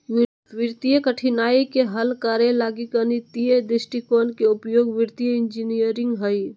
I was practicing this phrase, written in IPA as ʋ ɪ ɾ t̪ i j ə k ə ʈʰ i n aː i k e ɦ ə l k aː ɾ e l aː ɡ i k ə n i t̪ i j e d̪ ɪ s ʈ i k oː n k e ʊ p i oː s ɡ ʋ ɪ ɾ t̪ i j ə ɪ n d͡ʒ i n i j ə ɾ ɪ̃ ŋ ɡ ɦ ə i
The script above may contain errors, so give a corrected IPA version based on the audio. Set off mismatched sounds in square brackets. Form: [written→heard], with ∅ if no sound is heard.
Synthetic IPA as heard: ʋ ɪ ɾ t̪ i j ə k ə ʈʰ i n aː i k e ɦ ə l k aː ɾ e l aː ɡ i k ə n i t̪ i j e d̪ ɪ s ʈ i k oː n k e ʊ p [i→j] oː [s→∅] ɡ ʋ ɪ ɾ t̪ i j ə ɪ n d͡ʒ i n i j ə ɾ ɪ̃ ŋ ɡ ɦ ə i